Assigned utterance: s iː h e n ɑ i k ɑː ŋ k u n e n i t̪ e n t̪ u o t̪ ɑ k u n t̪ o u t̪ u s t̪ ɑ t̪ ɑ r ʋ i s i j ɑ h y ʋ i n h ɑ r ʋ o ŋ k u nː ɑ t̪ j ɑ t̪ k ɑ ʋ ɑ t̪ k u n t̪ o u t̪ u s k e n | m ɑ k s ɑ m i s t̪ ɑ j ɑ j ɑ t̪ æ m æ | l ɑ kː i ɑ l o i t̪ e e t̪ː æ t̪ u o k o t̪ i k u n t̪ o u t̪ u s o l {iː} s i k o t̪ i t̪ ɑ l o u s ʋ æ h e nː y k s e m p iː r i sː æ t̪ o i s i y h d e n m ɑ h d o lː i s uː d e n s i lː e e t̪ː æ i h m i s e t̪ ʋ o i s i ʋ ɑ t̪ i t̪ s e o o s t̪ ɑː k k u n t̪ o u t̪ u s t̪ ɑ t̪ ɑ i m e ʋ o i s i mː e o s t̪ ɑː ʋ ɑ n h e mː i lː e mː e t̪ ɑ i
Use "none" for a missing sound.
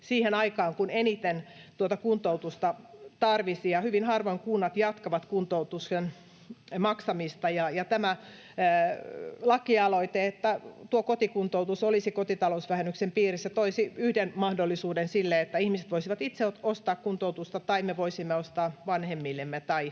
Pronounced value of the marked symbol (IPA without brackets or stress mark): i